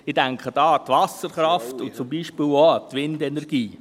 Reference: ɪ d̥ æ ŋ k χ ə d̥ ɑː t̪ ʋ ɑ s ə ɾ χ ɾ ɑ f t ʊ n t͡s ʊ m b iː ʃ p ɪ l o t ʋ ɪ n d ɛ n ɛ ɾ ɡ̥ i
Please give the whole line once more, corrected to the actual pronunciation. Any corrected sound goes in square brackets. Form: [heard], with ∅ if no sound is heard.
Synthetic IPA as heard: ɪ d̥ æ ŋ k χ ə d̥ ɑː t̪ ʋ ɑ s ə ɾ χ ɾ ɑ f t ʊ n t͡s ʊ m b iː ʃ p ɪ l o t ʋ ɪ n d ɛ n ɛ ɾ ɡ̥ [iː]